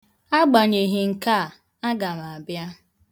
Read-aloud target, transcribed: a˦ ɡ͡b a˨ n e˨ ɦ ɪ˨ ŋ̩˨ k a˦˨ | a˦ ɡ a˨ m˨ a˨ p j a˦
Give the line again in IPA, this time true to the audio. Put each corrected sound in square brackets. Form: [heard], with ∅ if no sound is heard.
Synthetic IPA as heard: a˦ ɡ͡b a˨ [ɲ] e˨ ɦ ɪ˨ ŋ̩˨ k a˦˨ | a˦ ɡ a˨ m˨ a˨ [b] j a˦